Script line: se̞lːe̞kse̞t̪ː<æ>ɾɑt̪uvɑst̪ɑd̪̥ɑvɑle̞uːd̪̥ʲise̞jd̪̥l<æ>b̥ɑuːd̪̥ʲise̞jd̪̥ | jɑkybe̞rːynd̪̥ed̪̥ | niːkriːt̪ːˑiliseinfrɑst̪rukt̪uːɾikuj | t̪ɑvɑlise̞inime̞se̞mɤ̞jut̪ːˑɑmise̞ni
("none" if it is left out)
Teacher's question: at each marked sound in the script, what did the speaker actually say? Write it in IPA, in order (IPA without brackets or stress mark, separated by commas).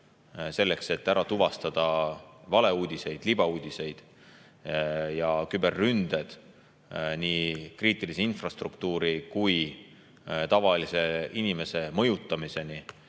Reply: æ, i